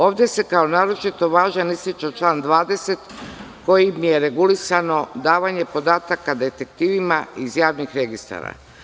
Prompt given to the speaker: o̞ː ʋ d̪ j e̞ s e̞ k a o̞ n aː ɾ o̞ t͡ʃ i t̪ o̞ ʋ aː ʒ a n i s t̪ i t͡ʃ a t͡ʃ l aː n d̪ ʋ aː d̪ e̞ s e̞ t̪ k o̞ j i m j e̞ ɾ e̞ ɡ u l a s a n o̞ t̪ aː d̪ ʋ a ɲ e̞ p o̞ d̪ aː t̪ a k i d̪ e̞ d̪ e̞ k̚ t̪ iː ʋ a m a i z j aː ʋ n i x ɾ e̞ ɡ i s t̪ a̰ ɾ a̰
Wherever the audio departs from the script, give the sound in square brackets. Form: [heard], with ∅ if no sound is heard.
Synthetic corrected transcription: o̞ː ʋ d̪ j e̞ s e̞ k a o̞ n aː ɾ o̞ t͡ʃ i t̪ o̞ ʋ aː ʒ a n i s t̪ i t͡ʃ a t͡ʃ l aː n d̪ ʋ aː d̪ e̞ s e̞ t̪ k o̞ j i m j e̞ ɾ e̞ ɡ u l [i] s a n o̞ [d̪] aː [∅] ʋ a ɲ e̞ p o̞ d̪ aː t̪ a k [a] d̪ e̞ [t̪] e̞ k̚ t̪ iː ʋ [i] m a i z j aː ʋ n i x ɾ e̞ ɡ i s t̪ a̰ ɾ a̰